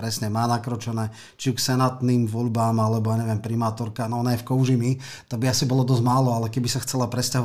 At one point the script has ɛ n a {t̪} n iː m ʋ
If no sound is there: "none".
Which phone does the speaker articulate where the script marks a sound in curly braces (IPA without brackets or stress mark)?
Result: t̪